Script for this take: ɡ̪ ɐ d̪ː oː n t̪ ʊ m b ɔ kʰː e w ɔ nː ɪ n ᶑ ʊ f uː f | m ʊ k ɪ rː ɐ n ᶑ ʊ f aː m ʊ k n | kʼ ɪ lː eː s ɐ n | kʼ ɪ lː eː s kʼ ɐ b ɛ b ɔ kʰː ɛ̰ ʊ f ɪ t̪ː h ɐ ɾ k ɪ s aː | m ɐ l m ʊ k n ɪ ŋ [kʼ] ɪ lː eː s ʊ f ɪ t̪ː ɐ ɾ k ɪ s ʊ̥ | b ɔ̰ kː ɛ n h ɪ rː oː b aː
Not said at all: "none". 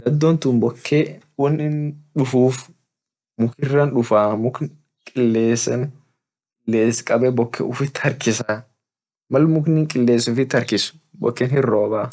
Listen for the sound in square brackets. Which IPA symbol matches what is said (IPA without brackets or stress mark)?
kʼ